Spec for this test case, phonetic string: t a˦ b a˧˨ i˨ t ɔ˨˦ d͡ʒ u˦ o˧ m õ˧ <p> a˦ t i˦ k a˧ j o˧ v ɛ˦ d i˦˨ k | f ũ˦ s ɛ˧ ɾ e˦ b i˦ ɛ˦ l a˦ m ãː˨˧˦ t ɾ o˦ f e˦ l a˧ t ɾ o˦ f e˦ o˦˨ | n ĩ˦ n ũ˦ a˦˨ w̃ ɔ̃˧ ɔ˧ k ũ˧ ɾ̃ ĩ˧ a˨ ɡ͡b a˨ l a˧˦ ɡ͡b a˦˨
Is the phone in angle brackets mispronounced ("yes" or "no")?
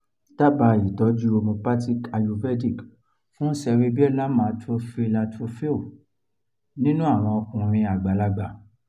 no